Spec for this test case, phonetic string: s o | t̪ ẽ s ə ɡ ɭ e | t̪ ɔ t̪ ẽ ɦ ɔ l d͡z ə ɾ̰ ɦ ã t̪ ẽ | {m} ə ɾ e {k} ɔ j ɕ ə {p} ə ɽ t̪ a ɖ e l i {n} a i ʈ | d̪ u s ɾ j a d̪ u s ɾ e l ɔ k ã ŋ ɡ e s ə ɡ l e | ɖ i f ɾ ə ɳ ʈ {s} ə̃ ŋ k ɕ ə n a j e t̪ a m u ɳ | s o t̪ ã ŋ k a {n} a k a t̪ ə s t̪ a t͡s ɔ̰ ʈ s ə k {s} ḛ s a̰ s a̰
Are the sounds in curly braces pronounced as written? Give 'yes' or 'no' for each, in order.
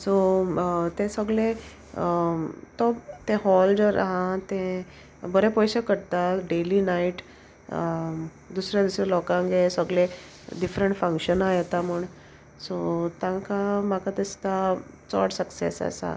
no, no, no, yes, no, no, yes

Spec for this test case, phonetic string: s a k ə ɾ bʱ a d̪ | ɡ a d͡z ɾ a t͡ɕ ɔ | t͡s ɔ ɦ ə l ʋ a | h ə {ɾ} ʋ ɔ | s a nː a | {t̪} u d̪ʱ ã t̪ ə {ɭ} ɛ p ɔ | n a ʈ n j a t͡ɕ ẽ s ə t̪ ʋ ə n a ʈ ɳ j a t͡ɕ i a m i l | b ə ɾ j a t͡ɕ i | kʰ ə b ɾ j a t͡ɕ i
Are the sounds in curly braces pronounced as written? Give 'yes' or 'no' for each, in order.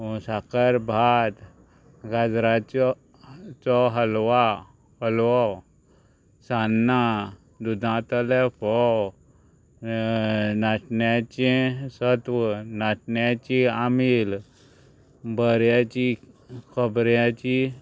no, no, no

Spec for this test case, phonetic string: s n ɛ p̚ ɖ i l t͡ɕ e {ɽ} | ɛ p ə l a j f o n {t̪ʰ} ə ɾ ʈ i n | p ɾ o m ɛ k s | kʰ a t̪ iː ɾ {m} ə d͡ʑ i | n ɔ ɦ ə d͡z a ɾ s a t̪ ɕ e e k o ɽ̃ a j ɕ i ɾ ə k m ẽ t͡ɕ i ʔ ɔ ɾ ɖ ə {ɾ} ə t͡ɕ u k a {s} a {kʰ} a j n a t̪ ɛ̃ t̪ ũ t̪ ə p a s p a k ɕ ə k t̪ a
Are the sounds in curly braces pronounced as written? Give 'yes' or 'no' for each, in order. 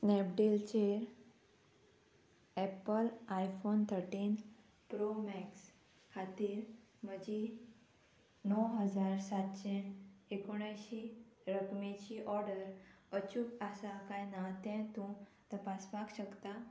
no, yes, yes, yes, yes, no

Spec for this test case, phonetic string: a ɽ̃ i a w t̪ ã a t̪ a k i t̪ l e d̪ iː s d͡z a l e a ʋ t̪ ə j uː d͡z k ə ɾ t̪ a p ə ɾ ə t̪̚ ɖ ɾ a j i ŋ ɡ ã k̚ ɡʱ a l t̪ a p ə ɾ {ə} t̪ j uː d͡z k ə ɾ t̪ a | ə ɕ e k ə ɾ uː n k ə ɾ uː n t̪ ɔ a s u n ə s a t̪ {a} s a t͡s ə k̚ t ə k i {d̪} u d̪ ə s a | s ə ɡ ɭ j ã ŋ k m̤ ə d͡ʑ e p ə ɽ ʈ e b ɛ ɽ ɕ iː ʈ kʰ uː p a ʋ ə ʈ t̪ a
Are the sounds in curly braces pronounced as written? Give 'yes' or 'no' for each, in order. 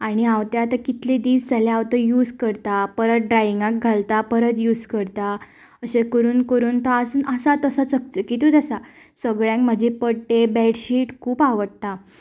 yes, no, no

